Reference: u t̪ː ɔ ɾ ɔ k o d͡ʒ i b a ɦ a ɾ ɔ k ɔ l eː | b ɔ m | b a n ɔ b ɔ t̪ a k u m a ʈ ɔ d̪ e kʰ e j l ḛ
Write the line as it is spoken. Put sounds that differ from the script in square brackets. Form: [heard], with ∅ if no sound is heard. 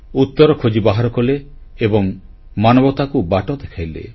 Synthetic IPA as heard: u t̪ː ɔ ɾ ɔ [kʰ] o d͡ʒ i b a ɦ a ɾ ɔ k ɔ l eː | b ɔ [ŋ] | [m] a n ɔ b ɔ t̪ a k u [b] a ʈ ɔ d̪ e kʰ [a] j l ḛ